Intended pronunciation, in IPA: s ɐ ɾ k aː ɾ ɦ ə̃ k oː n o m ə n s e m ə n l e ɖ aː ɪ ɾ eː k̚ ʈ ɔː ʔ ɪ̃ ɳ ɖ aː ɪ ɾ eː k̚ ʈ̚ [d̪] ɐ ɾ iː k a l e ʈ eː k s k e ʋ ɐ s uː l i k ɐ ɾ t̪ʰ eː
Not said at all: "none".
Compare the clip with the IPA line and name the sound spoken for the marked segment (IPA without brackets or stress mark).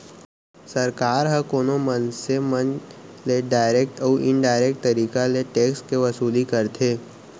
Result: t̪